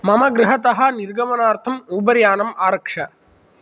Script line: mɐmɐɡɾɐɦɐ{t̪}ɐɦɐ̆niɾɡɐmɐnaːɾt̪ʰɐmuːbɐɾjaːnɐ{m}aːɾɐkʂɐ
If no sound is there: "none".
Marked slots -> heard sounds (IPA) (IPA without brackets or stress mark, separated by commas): t̪, m